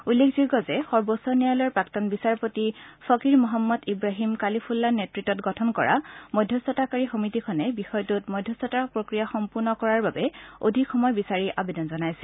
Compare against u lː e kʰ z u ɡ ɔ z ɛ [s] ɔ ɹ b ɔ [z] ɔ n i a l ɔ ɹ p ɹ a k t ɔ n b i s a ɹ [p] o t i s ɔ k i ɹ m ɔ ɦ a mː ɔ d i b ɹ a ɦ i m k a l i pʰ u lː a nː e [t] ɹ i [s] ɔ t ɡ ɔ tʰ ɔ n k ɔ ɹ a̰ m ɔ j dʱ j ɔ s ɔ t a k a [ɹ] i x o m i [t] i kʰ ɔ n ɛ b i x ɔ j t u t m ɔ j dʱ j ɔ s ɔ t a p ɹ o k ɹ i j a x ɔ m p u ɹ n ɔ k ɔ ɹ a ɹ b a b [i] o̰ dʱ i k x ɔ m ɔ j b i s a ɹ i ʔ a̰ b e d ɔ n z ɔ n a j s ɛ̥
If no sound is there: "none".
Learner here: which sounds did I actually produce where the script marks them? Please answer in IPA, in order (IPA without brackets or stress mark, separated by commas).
x, s, p, t, t, ɹ, t, ɛ